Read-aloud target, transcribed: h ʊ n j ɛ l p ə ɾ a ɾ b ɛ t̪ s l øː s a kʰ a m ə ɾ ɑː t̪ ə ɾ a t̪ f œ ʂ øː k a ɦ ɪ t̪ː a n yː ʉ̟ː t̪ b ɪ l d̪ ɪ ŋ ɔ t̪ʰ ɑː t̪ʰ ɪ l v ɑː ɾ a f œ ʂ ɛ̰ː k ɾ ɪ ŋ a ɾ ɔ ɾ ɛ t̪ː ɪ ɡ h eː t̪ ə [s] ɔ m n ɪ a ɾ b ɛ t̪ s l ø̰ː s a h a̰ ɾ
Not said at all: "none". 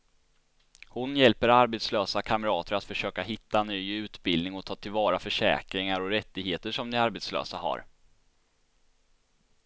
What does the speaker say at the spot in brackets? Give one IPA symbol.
ʂ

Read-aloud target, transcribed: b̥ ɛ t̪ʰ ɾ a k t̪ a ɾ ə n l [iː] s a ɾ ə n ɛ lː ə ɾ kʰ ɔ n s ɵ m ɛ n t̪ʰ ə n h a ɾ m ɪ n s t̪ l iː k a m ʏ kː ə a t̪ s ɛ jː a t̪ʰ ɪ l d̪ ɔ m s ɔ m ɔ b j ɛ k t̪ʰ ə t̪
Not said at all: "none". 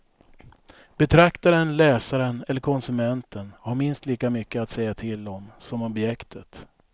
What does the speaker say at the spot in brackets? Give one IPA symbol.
ɛː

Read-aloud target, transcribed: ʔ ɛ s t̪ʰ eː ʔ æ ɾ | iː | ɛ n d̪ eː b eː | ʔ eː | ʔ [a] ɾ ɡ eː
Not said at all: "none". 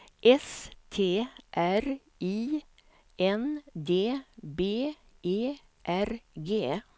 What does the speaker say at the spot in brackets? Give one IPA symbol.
æ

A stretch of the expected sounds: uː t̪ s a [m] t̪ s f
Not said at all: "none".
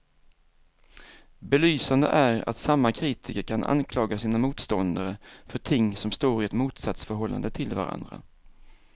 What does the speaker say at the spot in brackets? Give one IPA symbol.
none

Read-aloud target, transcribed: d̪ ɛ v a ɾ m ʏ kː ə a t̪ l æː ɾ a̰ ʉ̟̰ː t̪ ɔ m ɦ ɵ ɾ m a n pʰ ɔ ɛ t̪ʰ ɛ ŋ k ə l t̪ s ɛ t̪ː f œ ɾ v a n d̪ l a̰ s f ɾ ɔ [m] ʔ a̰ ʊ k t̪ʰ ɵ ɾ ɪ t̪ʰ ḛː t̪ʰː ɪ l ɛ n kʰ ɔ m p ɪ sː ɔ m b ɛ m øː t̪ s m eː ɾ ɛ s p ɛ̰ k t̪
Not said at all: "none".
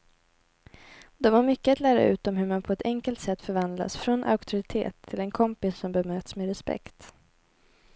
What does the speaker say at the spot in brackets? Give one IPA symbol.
n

